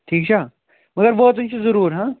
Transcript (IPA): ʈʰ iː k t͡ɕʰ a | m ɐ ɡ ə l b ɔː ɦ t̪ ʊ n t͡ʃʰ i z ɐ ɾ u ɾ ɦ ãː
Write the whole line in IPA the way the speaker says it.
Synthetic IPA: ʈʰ iː k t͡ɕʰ a | m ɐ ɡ ə ɾ b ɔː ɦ t̪ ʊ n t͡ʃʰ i z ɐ ɾ uː ɾ ɦ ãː